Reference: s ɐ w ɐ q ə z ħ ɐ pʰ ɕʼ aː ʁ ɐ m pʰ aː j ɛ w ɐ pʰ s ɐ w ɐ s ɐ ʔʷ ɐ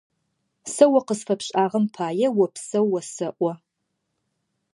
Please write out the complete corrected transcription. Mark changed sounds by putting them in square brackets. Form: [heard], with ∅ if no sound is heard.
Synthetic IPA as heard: s ɐ w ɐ q ə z [f] ɐ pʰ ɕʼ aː ʁ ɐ m pʰ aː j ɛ w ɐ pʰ s ɐ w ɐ s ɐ ʔʷ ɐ